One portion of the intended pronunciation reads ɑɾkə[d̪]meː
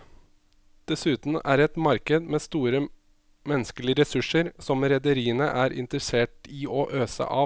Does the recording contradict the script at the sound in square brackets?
no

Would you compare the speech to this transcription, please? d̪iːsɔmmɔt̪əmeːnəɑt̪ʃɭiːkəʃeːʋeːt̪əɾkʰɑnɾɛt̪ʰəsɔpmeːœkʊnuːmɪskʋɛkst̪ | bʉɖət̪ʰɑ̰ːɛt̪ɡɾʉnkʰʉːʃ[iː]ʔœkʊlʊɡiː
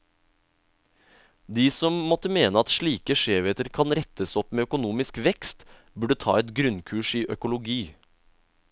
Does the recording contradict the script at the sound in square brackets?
no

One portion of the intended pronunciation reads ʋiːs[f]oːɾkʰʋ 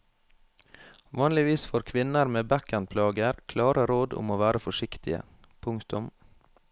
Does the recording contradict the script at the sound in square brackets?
no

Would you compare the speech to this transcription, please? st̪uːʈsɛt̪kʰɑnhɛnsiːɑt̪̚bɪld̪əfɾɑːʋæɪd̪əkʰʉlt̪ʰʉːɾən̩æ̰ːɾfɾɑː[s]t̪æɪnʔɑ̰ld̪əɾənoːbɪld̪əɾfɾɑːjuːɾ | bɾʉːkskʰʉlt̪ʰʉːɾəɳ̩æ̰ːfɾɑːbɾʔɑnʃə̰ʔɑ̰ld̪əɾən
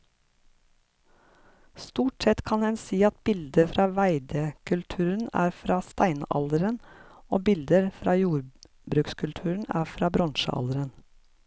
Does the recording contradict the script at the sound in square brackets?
no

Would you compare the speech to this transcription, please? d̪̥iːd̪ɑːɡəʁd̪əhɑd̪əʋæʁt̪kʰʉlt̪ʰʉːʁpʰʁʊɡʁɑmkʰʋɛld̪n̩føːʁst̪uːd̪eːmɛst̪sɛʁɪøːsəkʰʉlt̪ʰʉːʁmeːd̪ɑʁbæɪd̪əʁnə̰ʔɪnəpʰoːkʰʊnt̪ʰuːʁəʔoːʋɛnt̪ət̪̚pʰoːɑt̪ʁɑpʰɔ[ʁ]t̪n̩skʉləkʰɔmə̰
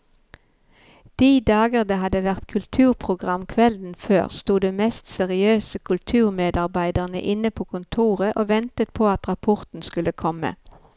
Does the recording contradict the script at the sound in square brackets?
no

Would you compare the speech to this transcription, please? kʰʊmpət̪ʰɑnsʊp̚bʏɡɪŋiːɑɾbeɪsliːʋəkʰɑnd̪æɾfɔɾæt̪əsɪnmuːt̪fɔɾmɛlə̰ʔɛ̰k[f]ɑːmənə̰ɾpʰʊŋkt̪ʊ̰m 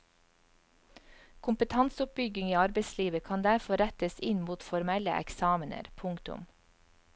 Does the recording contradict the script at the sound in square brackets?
yes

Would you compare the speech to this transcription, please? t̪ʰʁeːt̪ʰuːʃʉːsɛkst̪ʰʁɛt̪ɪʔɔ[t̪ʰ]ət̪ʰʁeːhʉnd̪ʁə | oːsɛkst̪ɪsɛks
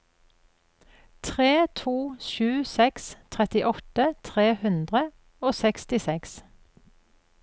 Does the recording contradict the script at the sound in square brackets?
yes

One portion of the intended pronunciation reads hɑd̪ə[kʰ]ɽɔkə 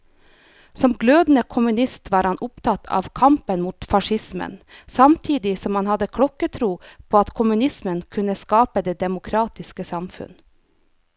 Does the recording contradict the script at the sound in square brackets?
no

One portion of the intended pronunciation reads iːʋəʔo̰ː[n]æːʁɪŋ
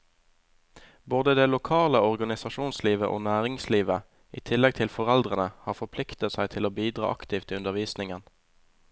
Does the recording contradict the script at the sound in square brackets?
no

